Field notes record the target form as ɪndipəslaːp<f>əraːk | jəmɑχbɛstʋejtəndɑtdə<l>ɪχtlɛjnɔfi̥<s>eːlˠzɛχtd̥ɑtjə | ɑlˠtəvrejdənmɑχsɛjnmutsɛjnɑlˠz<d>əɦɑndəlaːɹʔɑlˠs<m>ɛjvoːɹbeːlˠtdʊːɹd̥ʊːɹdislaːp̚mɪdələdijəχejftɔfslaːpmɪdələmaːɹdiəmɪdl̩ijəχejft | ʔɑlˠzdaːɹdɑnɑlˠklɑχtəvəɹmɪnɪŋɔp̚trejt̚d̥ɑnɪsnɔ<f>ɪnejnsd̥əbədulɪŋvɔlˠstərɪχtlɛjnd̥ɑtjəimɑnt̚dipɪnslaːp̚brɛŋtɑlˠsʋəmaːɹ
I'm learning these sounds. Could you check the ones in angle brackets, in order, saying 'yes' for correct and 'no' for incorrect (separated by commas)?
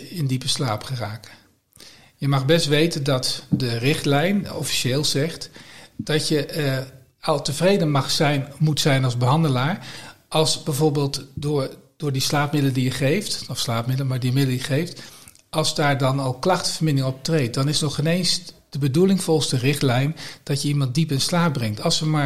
no, no, no, no, no, no